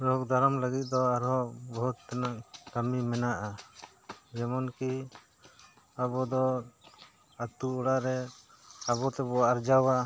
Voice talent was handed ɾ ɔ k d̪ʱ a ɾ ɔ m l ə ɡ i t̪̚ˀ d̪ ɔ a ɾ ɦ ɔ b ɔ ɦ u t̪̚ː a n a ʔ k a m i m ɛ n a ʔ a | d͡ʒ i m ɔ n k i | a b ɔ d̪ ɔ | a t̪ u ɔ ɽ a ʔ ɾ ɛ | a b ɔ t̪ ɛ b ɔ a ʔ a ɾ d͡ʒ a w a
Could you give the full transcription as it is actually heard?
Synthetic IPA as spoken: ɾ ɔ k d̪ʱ a ɾ ɔ m l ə ɡ i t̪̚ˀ d̪ ɔ a ɾ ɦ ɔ b ɔ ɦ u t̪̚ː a n a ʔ k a m i m ɛ n a ʔ a | d͡ʒ ɛ m ɔ n k i | a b ɔ d̪ ɔ | a t̪ u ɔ ɽ a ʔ ɾ ɛ | a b ɔ t̪ ɛ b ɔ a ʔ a ɾ d͡ʒ a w a